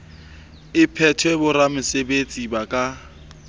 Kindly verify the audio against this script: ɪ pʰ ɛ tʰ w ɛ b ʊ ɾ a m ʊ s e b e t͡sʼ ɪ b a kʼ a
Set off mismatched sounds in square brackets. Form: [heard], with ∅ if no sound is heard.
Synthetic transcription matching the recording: ɪ pʰ ɛ tʰ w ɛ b ʊ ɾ a m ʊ s e b e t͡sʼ [i] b a kʼ a